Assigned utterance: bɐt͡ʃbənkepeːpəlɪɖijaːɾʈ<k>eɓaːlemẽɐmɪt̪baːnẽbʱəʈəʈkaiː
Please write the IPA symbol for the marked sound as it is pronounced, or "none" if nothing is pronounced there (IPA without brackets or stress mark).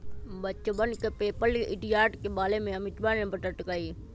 k